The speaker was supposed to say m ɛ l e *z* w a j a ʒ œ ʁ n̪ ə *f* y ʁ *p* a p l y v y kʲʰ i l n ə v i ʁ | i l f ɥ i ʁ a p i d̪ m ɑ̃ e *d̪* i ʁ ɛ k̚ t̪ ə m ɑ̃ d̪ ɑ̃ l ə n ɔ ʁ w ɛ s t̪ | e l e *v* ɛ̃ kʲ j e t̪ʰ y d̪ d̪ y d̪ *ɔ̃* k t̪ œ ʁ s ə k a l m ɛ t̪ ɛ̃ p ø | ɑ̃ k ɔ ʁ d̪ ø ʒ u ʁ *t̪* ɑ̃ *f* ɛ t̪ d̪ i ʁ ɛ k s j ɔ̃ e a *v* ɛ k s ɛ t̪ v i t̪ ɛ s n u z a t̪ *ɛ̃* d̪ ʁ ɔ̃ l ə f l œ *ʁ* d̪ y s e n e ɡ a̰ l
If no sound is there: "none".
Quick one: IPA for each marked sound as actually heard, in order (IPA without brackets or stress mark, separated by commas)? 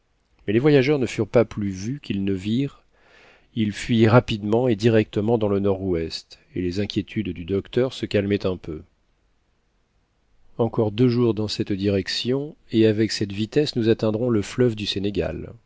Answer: v, f, p, d̪, z, ɔ, d̪, s, v, ɛ̃, v